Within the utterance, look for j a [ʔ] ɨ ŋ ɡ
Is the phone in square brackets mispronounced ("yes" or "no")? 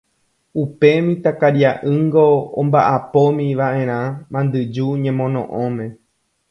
no